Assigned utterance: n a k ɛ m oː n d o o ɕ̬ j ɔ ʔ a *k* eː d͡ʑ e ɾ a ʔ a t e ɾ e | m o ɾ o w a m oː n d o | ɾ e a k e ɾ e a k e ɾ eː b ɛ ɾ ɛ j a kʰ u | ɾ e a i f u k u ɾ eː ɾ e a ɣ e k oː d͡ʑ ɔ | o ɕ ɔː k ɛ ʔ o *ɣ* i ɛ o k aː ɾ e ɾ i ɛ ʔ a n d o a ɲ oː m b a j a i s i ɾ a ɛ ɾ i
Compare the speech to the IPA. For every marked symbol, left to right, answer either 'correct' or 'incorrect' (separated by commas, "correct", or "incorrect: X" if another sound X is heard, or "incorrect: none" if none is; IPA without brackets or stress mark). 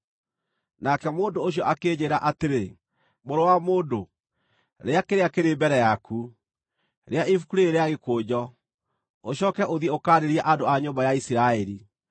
correct, incorrect: ð